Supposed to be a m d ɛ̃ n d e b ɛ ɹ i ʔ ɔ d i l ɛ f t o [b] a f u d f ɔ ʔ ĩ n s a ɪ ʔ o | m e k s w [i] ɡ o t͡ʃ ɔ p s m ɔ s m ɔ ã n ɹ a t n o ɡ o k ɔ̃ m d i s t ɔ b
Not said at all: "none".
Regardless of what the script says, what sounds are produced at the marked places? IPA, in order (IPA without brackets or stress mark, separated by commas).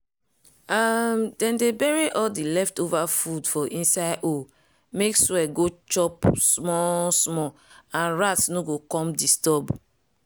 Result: v, ɛ